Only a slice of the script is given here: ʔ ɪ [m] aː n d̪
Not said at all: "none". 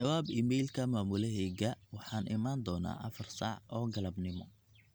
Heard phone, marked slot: m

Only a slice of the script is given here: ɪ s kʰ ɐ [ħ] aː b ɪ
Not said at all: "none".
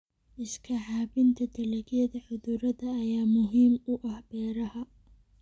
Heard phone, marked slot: ħ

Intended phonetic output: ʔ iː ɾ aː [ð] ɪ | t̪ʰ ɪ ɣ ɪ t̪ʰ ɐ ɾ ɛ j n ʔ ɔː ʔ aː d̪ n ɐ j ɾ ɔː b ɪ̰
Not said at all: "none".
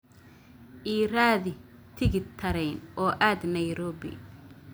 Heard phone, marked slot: ð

